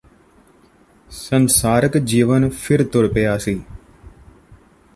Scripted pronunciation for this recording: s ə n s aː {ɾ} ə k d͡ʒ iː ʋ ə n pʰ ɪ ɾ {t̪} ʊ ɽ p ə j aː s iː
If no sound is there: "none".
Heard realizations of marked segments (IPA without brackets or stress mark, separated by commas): ɾ, t̪